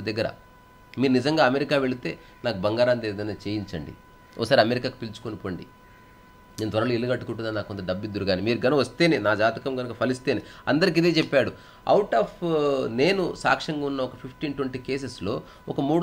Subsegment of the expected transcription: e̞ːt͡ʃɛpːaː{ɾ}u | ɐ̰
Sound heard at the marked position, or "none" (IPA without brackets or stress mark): ɽ